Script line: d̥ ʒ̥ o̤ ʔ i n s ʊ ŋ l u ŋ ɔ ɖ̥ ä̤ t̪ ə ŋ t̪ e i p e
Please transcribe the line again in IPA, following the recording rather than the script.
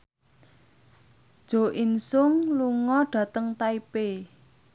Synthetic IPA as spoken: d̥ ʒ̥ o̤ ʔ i n s ʊ ŋ l u ŋ ɔ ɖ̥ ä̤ t̪ ə ŋ t̪ a i p e